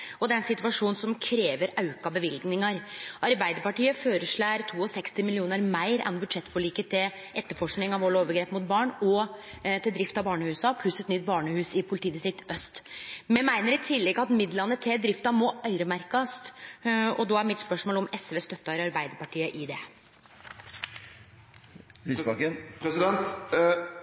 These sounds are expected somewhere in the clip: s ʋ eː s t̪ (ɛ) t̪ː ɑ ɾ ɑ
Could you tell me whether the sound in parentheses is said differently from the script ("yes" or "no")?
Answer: yes